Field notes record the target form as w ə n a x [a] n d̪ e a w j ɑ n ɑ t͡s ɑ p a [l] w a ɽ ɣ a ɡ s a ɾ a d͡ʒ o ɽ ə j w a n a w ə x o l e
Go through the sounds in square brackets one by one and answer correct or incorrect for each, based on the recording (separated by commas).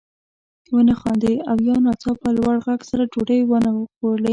incorrect, correct